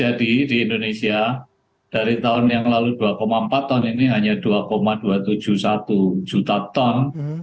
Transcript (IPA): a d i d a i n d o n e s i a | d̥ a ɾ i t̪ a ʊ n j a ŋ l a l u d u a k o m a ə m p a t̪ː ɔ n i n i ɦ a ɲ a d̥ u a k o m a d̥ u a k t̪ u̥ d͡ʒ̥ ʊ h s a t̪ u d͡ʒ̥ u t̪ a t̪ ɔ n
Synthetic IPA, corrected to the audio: a d i d i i n d o n e s i a | d̥ a ɾ i t̪ a ʊ n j a ŋ l a l u d u a k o m a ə m p a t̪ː ɔ n i n i ɦ a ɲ a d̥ u a k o m a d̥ u a t̪ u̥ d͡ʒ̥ u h s a t̪ u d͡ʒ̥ u t̪ a t̪ ɔ n